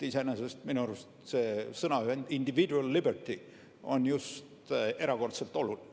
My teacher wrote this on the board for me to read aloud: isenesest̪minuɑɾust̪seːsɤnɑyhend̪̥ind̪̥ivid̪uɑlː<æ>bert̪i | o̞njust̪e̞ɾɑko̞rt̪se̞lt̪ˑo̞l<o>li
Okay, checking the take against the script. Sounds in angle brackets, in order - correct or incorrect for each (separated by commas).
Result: incorrect, incorrect